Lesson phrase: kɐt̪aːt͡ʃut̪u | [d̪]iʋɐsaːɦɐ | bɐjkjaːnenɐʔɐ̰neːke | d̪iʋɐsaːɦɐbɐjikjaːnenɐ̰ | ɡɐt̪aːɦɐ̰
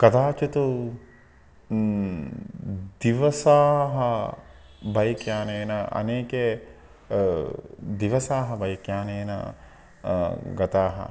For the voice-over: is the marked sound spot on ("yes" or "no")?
yes